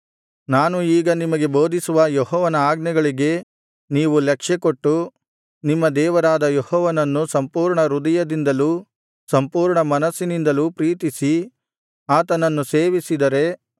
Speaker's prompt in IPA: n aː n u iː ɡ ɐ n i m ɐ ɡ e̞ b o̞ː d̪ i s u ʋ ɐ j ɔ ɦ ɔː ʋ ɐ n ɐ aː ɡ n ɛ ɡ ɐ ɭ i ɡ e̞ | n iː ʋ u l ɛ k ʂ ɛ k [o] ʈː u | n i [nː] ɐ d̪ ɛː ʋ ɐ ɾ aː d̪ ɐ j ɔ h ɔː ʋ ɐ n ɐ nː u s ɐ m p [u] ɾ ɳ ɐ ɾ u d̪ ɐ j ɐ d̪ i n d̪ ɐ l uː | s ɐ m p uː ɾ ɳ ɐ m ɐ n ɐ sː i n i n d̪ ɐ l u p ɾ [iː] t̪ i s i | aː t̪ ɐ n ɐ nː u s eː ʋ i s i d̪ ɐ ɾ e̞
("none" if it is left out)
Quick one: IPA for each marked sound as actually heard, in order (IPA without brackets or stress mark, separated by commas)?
o, mː, uː, iː